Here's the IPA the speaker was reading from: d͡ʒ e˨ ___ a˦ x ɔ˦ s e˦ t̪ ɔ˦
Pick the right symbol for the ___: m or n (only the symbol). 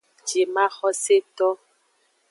m